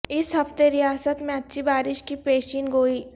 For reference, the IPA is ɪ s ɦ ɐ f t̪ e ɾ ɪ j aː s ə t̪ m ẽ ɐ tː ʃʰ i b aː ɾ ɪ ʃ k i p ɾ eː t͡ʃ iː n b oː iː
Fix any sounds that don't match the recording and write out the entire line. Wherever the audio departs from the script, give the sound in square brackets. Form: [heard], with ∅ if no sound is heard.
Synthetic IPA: ɪ s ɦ ɐ f t̪ e ɾ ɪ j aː s ə t̪ m ẽ ɐ tː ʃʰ i b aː ɾ ɪ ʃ k i p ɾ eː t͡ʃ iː n [ɡ] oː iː